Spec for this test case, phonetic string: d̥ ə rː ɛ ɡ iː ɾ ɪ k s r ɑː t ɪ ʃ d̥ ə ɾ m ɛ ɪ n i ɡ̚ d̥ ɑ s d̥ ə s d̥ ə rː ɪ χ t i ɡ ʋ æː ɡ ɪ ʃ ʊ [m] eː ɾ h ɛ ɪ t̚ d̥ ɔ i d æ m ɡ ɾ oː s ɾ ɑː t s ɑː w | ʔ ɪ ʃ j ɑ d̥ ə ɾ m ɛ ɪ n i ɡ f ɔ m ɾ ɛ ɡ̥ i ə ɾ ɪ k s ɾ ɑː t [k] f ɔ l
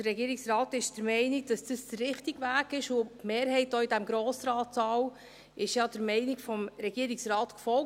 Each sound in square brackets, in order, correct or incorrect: correct, correct

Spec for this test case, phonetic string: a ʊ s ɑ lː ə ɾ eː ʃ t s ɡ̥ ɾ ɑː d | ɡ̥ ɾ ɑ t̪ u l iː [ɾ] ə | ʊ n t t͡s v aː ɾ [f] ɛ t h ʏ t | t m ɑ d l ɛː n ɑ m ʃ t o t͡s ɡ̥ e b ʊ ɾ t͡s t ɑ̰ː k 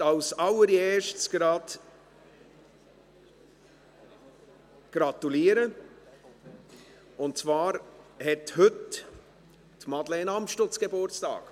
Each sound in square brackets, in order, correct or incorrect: correct, incorrect: h

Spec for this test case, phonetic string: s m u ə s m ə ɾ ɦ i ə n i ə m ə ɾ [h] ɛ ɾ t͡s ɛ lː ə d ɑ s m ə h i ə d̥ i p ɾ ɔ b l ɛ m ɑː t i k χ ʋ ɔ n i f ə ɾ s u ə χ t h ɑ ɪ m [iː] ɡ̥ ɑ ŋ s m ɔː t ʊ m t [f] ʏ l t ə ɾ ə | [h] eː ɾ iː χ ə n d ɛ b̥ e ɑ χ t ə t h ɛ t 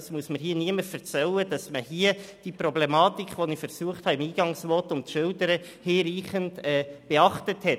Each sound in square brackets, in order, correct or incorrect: incorrect: f, correct, incorrect: ʃ, correct

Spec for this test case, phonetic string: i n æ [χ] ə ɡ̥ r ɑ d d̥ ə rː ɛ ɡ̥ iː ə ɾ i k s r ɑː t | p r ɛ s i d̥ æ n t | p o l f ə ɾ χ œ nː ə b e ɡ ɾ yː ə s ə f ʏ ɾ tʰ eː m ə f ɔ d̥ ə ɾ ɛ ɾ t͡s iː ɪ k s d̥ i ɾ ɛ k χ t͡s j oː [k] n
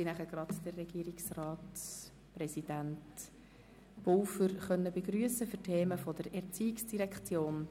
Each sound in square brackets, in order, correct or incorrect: correct, incorrect: none

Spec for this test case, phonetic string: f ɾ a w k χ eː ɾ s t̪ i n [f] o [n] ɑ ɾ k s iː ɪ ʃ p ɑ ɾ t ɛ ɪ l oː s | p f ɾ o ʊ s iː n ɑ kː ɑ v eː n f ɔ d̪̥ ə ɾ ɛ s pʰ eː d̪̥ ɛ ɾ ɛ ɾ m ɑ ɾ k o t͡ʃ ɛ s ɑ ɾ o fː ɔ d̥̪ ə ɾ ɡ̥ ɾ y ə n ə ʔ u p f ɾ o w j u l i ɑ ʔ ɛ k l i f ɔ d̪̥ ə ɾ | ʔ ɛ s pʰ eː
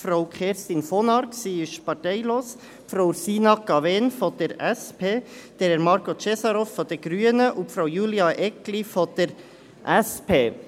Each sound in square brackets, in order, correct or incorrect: correct, correct

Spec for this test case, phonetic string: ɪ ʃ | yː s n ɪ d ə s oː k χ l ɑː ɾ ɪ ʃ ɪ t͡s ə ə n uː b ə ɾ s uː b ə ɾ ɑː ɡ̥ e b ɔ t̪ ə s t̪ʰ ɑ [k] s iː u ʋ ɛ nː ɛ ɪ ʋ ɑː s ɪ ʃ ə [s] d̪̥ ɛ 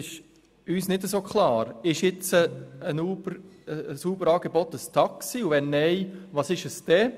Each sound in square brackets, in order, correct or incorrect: correct, correct

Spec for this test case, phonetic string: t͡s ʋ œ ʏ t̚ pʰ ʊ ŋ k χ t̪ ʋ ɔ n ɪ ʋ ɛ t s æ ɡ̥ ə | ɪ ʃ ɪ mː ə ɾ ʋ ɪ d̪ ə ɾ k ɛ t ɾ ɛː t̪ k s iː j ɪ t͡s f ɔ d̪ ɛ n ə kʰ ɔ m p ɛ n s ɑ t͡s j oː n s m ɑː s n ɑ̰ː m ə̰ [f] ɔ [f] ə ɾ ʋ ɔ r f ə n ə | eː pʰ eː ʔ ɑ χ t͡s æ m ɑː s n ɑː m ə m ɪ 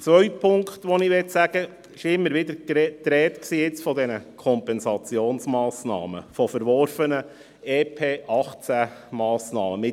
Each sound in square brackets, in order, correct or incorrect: correct, correct

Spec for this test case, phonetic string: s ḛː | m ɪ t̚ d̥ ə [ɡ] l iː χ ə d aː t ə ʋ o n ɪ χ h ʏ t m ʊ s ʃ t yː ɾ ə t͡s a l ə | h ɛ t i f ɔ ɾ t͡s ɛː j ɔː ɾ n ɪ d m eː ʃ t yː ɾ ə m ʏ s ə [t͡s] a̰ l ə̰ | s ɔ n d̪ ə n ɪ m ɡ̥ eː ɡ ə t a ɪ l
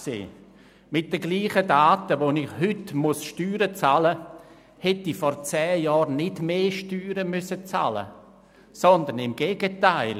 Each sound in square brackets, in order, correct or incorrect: correct, correct

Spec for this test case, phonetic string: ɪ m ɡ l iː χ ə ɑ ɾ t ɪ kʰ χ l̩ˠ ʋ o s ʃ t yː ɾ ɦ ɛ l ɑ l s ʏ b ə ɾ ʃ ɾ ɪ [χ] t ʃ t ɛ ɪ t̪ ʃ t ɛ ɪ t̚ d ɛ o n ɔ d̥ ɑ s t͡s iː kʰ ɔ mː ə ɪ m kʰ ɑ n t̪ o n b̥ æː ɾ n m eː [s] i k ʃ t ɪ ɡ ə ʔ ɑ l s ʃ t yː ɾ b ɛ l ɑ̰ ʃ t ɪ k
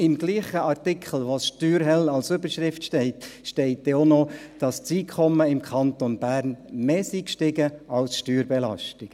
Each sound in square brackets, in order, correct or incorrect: incorrect: f, correct

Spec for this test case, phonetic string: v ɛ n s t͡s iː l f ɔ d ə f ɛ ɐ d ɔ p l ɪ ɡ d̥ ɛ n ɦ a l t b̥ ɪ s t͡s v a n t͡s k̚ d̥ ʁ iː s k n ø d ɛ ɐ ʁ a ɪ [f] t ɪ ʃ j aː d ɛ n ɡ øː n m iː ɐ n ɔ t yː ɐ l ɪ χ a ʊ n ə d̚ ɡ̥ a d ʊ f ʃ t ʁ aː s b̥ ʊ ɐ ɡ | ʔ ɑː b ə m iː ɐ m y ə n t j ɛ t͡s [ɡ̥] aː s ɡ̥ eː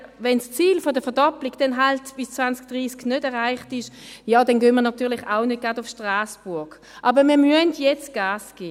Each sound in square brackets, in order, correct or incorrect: incorrect: χ, correct

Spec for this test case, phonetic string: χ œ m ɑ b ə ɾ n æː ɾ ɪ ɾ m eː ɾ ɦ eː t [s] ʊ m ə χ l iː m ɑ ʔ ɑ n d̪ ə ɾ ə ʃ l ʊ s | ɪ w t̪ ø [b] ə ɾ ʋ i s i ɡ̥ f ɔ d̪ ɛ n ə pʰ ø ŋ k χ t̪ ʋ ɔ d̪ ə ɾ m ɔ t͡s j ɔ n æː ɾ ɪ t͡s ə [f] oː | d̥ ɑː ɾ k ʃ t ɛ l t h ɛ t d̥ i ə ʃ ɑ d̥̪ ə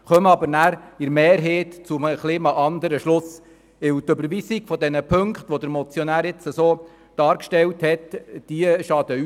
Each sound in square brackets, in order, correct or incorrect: incorrect: t͡s, correct, incorrect: s

